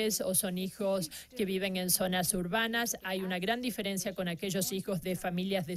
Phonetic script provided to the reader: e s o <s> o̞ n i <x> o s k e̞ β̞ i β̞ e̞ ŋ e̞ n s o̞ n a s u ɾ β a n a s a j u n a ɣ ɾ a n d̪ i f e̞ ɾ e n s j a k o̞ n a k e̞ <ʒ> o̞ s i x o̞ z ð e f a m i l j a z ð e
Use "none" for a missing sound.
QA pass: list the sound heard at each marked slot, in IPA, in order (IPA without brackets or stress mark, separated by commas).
s, x, ʒ